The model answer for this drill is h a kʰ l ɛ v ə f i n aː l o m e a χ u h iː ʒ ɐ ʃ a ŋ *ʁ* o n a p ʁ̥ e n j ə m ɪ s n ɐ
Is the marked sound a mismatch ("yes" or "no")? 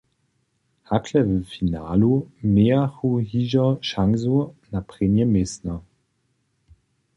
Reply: yes